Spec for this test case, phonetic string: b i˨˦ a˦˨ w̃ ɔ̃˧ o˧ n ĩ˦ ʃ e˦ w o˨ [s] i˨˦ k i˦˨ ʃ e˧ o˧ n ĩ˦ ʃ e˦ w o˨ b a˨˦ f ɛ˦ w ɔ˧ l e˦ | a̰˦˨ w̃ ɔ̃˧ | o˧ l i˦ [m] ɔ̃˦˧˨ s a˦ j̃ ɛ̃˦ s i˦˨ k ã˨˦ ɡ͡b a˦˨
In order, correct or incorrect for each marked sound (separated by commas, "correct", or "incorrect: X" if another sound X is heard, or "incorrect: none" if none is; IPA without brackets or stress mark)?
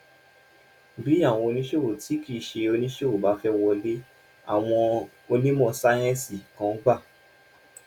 incorrect: t, correct